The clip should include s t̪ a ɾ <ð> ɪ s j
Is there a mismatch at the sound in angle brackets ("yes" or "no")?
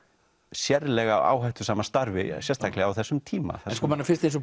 yes